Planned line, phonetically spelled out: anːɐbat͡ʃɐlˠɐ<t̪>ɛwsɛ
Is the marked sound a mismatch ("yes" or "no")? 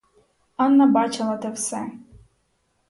no